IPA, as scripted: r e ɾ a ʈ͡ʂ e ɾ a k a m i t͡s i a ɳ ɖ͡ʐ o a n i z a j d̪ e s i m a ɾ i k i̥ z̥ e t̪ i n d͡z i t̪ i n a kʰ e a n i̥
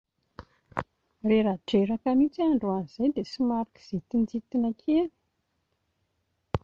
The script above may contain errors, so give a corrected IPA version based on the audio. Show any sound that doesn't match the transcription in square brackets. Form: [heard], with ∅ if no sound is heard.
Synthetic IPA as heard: r e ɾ a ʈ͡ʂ e ɾ a k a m i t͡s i a ɳ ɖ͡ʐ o a n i z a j d̪ e s i m a ɾ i k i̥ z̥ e t̪ i n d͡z i t̪ i n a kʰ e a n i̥